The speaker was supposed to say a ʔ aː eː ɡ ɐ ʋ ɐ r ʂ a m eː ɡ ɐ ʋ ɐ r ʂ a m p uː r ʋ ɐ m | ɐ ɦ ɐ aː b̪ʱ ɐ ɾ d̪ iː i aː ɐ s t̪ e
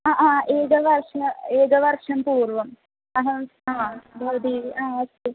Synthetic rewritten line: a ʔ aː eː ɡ ɐ ʋ ɐ r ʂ ɐ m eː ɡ ɐ ʋ ɐ r ʂ ɐ m p uː r ʋ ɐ m | ɐ ɦ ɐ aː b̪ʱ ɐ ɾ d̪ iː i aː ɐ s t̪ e